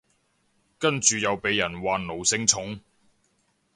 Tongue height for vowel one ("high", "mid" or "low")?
low